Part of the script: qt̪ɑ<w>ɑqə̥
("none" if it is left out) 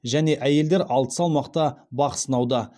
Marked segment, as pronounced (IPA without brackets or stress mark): b